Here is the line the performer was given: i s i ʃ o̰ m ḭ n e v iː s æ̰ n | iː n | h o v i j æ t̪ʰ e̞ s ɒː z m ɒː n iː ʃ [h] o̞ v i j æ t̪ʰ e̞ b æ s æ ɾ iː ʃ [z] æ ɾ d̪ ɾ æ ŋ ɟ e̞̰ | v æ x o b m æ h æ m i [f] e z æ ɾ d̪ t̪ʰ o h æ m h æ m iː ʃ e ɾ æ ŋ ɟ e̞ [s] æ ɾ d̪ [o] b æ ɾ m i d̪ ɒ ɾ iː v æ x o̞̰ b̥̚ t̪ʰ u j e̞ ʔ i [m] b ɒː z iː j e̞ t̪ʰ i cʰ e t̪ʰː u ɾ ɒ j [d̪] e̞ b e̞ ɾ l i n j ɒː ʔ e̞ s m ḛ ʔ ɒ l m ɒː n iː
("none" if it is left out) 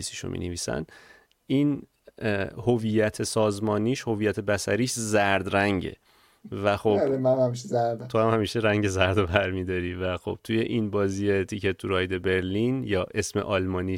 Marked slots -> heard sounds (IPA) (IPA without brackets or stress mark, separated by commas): h, z, ʃ, z, o, n, d̪